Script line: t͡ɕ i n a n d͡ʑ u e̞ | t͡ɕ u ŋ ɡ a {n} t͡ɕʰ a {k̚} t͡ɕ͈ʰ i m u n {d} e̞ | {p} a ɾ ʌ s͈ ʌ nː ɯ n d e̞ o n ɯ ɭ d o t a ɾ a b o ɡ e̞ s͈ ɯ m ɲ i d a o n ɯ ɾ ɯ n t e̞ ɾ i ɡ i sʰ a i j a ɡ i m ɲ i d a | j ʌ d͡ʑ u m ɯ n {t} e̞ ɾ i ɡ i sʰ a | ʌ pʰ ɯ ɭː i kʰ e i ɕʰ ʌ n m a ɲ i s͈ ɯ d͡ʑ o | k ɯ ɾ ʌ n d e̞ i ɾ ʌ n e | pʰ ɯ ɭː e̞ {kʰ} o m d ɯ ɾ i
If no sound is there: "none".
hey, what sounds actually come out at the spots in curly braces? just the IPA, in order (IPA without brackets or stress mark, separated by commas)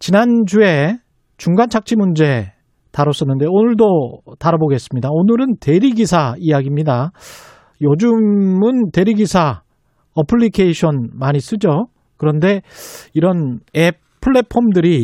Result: n, k̚, d͡ʑ, t, t, pʰ